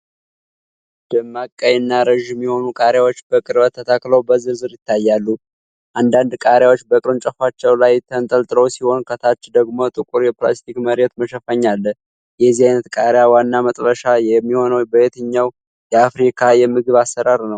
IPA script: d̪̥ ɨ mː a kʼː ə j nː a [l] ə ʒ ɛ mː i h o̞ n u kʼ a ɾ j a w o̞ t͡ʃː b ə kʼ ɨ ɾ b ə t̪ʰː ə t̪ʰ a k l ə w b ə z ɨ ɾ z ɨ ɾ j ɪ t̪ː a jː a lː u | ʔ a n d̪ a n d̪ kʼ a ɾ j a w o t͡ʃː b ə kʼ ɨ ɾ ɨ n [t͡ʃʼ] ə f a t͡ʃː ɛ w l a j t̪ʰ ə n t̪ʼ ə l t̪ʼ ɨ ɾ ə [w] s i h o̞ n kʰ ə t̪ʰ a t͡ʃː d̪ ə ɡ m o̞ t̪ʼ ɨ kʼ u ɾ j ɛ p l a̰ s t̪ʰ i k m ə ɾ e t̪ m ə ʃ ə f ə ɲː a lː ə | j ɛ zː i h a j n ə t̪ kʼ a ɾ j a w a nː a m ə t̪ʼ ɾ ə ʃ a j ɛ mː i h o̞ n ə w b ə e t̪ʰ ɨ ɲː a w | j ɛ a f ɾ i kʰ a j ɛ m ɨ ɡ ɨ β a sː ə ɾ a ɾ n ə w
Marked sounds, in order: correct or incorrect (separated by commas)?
incorrect, correct, correct